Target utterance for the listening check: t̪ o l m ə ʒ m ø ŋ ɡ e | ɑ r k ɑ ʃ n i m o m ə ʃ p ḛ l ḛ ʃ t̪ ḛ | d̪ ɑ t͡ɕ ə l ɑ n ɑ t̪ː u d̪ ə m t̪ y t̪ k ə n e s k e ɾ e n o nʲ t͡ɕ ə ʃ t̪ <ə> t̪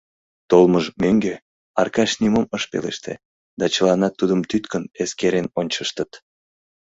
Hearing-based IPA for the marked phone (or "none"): ə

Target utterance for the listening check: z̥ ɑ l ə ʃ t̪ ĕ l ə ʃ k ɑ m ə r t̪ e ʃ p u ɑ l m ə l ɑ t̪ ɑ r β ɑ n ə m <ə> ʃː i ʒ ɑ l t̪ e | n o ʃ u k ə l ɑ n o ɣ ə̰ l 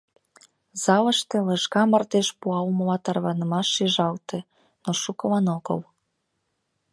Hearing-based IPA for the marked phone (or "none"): ɑ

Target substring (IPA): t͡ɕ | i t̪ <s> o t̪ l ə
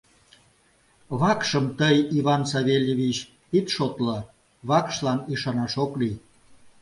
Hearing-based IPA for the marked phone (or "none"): ʃ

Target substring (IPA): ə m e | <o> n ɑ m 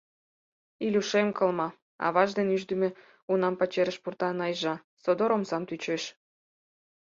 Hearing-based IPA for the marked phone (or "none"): u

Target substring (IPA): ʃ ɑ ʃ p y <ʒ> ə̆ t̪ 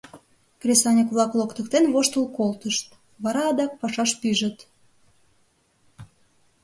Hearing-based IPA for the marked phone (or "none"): ʒ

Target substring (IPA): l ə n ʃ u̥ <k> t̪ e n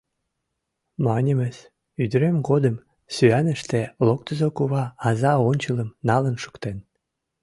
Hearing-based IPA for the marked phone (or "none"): k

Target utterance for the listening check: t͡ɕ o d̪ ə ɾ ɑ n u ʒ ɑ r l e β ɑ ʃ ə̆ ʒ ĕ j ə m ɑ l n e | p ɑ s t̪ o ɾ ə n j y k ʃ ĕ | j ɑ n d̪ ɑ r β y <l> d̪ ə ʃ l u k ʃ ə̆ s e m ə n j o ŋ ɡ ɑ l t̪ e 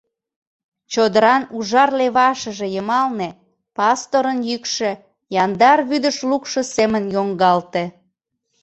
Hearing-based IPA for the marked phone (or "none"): none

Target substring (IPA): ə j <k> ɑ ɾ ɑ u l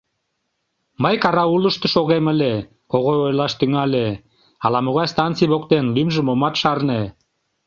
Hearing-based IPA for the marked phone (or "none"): k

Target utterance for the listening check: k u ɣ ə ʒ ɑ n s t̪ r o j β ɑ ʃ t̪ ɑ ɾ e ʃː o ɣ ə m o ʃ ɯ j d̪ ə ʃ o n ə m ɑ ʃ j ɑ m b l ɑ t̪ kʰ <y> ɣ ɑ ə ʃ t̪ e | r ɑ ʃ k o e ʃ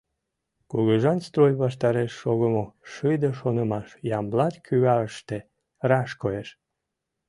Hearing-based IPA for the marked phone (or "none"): y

